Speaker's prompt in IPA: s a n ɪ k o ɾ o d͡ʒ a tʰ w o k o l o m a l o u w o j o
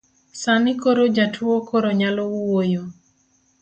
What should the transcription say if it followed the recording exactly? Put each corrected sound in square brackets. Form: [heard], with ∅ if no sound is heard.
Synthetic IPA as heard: s a n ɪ k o ɾ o d͡ʒ a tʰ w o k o [ɾ] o [ɲ] a l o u w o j o